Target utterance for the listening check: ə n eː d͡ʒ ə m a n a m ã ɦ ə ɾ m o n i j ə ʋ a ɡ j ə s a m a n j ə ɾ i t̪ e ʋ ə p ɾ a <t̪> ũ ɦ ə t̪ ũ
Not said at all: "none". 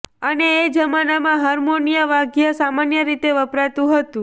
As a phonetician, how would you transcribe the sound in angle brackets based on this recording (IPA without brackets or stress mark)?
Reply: t̪